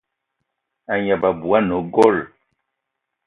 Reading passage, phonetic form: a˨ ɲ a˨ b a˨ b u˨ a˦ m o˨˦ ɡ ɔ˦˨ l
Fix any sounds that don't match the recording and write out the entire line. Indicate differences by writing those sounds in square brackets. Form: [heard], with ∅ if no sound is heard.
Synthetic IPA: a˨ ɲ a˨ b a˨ b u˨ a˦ [n] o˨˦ ɡ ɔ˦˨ l